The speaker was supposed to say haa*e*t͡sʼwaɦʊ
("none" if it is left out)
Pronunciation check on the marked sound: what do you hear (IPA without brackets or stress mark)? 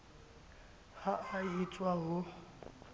i